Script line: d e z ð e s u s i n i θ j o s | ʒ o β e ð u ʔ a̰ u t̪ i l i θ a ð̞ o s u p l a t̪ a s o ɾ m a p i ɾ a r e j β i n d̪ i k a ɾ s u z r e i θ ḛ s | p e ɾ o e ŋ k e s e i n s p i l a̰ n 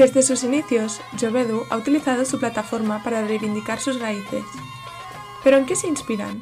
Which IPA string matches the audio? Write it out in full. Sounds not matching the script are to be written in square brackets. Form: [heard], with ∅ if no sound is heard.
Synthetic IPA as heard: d e z ð e s u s i n i θ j o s | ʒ o β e ð u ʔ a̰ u t̪ i l i θ a ð̞ o s u p l a t̪ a [f] o ɾ m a p [a] ɾ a r e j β i n d̪ i k a ɾ s u z r [a] i θ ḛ s | p e ɾ o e ŋ k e s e i n s p i [ɾ] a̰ n